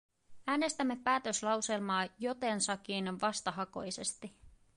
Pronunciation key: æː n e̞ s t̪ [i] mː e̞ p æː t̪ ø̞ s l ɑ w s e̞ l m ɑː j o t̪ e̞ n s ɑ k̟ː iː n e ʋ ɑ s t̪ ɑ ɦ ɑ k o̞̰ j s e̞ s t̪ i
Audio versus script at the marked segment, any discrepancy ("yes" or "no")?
yes